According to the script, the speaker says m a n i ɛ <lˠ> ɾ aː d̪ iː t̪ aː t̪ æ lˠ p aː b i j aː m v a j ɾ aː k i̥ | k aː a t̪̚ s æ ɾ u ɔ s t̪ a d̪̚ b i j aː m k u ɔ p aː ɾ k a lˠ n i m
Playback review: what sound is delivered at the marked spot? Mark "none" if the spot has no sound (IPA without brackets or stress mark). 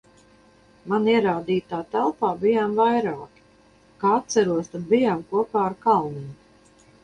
none